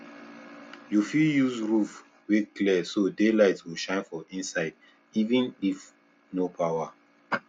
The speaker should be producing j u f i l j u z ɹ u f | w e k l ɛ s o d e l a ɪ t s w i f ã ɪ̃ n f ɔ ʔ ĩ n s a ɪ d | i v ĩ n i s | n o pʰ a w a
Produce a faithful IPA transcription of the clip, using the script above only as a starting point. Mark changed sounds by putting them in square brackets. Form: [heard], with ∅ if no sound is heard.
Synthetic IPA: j u f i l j u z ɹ u f | w e k l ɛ s o d e l a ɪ t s w i [ʃ] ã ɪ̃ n f ɔ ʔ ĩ n s a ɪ d | i v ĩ n i [f] | n o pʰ a w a